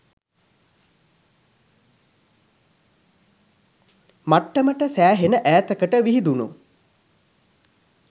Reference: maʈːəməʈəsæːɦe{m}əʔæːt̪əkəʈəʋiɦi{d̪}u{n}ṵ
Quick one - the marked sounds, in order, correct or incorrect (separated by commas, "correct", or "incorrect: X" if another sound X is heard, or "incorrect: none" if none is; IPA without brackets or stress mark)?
incorrect: n, correct, correct